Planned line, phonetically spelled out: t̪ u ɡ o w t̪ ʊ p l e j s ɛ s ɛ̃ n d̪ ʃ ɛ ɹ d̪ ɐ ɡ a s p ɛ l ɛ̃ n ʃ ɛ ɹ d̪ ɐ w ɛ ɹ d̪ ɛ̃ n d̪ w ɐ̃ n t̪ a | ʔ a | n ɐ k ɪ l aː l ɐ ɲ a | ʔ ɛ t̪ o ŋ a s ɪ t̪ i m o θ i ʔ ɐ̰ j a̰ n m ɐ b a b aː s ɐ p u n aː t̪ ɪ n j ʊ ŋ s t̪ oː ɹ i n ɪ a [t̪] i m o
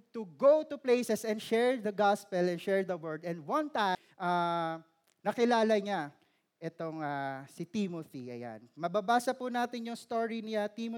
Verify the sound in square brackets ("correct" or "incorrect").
correct